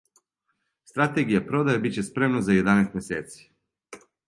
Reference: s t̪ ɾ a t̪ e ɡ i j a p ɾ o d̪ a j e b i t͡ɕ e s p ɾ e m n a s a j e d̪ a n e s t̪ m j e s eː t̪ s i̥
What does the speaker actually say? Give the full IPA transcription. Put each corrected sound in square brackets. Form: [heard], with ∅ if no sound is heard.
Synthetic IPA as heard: s t̪ ɾ a t̪ e ɡ i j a p ɾ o d̪ a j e b i t͡ɕ e s p ɾ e m n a [z] a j e d̪ a n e s t̪ m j e s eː t̪ s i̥